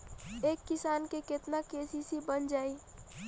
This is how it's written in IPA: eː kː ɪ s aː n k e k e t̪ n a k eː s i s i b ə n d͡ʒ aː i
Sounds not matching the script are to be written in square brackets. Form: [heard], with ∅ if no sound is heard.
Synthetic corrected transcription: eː kː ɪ s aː n k e k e t̪ n a k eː s i s i b ə n d͡ʒ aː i